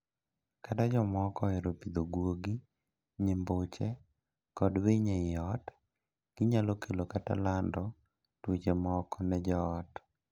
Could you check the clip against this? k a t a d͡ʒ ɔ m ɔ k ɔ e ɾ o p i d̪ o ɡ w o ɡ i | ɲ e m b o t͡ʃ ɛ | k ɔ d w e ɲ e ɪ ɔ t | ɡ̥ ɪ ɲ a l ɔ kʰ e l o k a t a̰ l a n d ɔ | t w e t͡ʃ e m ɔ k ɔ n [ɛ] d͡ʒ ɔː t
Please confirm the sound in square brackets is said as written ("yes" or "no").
yes